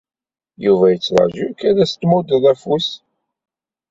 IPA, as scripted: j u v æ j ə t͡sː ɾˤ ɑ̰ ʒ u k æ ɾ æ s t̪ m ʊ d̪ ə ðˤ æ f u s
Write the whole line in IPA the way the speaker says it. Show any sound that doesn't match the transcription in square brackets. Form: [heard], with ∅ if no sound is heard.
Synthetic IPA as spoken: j u v æ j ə t͡sː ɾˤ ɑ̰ ʒ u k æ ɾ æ s t̪ m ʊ d̪ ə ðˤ æ f u s